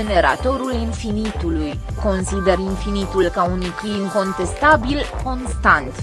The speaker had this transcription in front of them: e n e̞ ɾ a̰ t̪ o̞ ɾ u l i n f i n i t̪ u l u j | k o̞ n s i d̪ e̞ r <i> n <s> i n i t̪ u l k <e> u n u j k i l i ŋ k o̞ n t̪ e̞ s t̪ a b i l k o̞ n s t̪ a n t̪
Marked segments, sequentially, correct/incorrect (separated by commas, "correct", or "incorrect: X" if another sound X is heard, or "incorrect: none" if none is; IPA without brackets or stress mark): correct, incorrect: f, incorrect: a